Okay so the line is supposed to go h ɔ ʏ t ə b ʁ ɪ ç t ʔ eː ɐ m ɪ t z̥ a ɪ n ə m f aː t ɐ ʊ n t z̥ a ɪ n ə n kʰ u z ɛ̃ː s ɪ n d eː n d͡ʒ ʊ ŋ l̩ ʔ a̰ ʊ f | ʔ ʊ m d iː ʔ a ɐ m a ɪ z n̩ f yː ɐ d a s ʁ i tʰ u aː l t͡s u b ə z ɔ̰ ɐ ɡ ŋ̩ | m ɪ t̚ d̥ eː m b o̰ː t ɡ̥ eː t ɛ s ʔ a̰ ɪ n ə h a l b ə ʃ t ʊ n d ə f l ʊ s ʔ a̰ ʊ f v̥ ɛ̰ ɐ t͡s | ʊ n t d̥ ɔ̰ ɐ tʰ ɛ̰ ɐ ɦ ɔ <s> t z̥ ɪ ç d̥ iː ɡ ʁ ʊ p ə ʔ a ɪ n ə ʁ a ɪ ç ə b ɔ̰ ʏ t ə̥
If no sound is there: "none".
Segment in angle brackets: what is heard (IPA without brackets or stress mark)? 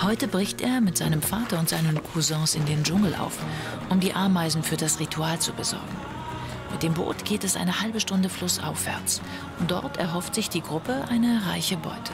f